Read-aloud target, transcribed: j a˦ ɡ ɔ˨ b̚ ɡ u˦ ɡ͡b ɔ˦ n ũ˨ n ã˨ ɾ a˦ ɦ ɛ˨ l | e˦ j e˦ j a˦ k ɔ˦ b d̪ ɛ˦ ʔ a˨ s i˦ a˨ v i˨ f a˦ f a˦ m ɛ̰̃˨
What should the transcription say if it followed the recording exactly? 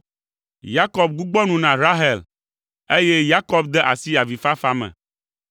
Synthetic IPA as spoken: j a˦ k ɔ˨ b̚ ɡ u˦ ɡ͡b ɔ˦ n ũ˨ n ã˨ ɾ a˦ ɦ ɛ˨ l | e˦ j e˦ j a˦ k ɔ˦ b d̪ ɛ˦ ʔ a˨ s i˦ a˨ v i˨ f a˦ f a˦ m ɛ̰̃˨